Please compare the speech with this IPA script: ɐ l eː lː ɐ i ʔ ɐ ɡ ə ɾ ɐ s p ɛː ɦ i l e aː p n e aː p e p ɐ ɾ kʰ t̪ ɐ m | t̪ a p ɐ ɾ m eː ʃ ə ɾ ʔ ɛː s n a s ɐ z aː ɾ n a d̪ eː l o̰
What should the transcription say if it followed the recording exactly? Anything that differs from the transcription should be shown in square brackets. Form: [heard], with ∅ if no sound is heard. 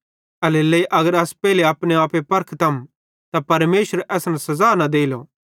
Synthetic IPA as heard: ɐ l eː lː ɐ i ʔ ɐ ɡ ə ɾ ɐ s p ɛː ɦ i l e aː p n e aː p e p ɐ ɾ kʰ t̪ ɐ m | t̪ a p ɐ ɾ m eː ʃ ə ɾ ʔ ɛː s n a s ɐ z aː [∅] n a d̪ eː l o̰